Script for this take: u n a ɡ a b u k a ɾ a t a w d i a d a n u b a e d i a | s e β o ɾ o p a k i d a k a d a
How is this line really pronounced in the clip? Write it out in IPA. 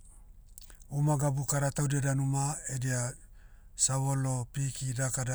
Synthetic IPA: u m a ɡ a b u k a ɾ a t a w d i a d a n u m a e d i a | s a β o l o p i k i d a k a d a

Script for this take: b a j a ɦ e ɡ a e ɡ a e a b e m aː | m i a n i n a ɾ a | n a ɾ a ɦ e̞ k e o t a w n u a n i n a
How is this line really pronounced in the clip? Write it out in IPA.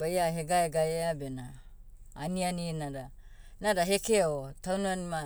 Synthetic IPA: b a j a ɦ e ɡ a e ɡ a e a b e n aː | n i a n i n a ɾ a | n a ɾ a ɦ e̞ k e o t a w n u a n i m a

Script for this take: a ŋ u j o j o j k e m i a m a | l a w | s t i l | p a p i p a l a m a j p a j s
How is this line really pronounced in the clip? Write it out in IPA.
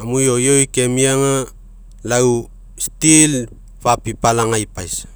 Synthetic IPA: a m u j o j o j k e m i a ŋ a | l a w | s t i l | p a p i p a l a ŋ a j p a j s

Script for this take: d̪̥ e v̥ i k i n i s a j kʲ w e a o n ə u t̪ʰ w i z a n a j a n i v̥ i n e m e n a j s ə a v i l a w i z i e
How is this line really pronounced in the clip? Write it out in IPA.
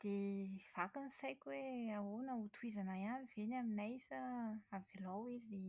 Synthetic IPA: d̪̥ e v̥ a k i n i s a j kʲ w e a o n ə u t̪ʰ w i z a n a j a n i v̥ e n a m i n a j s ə a v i l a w i z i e

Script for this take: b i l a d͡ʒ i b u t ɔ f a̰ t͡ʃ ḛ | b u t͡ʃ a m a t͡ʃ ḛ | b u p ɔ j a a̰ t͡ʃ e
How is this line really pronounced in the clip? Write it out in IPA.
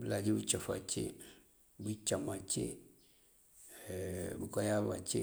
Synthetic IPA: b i l a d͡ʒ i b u t͡ʃ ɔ f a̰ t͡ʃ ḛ | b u t͡ʃ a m a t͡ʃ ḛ | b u k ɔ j a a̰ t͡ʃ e

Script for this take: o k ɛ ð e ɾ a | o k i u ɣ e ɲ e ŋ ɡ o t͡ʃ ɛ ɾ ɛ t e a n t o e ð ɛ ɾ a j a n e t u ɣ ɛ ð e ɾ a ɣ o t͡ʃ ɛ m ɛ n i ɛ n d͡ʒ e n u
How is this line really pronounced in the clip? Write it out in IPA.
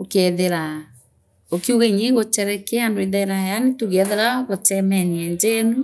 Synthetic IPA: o k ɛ ð e ɾ a | o k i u ɣ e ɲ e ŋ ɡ o t͡ʃ ɛ ɾ ɛ k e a n d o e ð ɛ ɾ a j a n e t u ɣ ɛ ð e ɾ a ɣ o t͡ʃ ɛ m ɛ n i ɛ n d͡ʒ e n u

